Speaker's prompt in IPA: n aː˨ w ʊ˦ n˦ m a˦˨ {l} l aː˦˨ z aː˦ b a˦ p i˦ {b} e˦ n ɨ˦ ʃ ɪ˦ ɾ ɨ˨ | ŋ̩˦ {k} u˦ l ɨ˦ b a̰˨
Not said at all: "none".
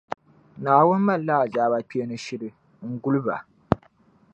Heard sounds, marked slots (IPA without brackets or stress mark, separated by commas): l, none, ɡ